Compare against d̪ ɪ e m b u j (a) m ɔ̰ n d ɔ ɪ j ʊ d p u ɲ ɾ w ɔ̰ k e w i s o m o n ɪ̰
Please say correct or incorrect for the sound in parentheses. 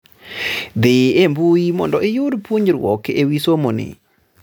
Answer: incorrect